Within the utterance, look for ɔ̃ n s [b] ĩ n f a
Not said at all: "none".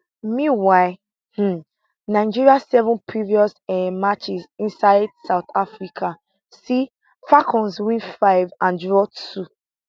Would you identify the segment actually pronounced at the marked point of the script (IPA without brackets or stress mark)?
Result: w